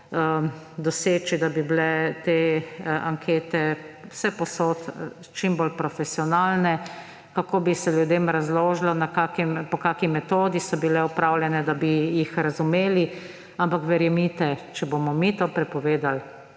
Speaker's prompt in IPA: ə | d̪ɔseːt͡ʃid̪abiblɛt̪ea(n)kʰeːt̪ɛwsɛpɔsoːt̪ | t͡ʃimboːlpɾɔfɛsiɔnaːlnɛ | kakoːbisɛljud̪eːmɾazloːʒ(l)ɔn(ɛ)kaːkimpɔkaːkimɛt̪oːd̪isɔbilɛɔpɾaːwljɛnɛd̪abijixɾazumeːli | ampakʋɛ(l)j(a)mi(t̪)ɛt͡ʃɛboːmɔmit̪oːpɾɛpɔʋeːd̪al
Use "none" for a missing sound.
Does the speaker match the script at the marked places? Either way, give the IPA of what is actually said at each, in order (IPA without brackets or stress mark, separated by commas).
ŋ, l, a, ɾ, ɛ, t̪